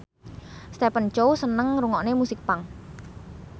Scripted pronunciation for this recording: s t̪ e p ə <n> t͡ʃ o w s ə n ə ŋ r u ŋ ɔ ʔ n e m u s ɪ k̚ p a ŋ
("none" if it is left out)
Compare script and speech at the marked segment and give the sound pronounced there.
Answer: n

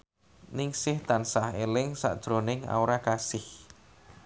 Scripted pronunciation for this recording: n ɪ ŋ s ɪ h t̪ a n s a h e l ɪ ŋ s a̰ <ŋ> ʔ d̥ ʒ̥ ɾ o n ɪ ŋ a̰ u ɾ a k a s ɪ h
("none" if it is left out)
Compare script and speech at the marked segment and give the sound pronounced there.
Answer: none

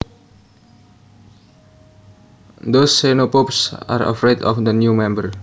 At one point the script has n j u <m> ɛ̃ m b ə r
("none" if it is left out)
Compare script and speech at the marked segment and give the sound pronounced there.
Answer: m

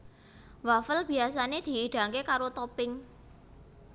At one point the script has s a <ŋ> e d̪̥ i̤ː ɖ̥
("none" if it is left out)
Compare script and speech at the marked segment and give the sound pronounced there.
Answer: n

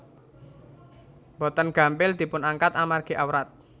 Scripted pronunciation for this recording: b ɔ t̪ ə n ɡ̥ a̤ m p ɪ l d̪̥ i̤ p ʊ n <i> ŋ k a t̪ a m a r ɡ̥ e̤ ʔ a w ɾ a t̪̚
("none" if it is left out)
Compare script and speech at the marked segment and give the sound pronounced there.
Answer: a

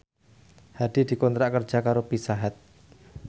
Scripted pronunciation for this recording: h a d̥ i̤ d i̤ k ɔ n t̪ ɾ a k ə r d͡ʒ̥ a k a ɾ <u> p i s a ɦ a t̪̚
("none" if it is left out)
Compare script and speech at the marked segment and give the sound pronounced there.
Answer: o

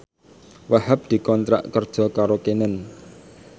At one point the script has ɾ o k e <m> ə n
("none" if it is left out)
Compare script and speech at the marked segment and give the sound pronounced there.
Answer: n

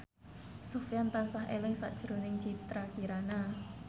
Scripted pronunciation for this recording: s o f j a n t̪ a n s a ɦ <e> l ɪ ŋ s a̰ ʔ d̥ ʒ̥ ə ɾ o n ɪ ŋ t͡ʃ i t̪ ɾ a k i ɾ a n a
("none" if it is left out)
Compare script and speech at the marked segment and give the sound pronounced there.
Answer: e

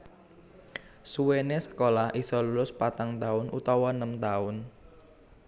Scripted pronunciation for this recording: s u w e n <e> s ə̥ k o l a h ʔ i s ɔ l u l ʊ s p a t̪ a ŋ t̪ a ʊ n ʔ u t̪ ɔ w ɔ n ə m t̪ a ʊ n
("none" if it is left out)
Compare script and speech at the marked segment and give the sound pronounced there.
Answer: e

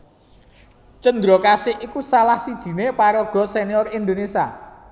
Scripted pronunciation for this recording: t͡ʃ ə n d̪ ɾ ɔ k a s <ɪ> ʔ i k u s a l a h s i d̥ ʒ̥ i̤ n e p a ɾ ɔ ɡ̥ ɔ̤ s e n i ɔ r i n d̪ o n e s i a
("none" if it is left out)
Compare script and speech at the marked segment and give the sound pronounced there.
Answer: ɪ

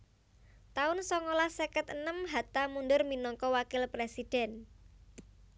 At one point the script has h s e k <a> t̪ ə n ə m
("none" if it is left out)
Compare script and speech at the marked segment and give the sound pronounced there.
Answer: ə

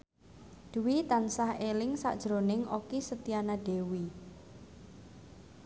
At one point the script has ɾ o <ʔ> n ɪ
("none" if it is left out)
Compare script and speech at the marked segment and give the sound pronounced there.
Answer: none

